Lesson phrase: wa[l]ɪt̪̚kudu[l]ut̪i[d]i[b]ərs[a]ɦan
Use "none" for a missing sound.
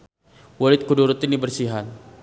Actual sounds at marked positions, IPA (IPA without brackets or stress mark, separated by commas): l, ɾ, n, b, i